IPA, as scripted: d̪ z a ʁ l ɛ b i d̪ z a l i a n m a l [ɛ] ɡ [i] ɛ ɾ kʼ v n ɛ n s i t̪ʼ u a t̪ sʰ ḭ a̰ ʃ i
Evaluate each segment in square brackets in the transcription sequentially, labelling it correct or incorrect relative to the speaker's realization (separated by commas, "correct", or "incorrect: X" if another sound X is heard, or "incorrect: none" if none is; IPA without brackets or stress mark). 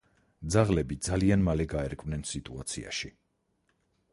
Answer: correct, incorrect: a